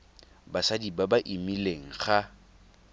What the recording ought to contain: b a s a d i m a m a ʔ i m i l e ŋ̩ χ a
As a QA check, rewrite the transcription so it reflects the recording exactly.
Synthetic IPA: b a s a d i b a b a ʔ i m i l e ŋ̩ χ a

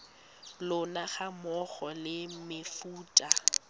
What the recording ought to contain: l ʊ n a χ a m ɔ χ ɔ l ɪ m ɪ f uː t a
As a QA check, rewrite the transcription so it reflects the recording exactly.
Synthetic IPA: l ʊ n a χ a m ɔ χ ɔ l ɪ m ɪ f uː tʼ a

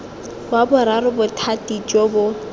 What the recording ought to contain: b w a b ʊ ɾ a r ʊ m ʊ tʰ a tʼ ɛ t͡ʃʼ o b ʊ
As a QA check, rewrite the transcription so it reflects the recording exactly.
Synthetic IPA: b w a b ʊ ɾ a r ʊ b ʊ tʰ a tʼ i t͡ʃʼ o b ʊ

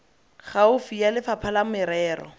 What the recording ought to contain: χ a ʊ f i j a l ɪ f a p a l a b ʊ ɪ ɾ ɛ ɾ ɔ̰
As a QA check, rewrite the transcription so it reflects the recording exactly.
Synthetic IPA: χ a ʊ f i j a l ɪ f a pʰ a l a m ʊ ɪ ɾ ɛː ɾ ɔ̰

